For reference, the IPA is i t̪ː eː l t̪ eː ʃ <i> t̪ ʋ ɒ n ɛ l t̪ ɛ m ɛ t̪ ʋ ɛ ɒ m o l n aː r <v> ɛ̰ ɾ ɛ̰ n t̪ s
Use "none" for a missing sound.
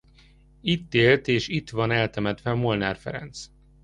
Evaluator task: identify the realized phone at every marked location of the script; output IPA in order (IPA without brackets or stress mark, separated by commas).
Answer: i, f